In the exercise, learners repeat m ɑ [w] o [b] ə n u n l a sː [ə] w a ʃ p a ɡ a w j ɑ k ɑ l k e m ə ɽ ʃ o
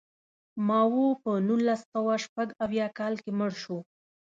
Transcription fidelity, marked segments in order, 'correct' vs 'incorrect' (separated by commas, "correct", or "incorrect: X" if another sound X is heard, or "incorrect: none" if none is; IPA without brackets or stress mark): correct, incorrect: p, incorrect: a